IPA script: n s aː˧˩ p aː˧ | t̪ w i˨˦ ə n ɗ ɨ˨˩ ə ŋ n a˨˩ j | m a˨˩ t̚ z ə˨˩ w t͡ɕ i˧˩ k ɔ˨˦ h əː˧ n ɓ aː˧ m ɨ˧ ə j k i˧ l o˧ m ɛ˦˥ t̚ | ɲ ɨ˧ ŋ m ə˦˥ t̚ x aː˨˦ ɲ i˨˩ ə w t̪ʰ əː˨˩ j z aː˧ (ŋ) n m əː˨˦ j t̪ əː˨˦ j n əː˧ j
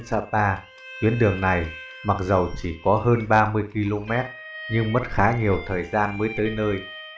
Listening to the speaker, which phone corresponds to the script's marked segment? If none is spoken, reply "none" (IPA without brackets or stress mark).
none